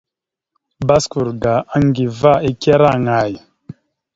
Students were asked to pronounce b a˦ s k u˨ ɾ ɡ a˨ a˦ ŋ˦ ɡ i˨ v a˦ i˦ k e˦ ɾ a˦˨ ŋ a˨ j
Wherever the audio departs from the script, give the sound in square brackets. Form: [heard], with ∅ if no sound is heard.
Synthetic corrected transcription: b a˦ s k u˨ ɾ ɡ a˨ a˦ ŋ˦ ɡ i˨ v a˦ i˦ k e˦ ɾ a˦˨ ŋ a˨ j